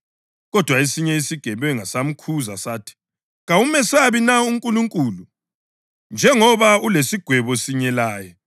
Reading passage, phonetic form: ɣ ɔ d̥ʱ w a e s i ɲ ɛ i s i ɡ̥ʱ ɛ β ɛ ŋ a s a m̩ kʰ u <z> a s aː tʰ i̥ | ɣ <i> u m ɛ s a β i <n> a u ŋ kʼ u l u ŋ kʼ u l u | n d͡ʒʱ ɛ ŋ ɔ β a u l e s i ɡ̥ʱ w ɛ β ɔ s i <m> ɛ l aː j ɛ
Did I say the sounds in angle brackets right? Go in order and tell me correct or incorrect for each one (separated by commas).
correct, incorrect, correct, incorrect